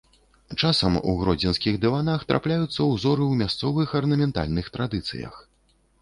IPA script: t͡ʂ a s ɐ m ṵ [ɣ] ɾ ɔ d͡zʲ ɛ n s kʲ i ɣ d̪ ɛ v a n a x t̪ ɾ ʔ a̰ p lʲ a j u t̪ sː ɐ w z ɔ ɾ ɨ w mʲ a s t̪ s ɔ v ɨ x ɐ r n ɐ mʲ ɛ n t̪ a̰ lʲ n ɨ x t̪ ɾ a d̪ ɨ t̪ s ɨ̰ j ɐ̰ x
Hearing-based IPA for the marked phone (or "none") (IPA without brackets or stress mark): ɣ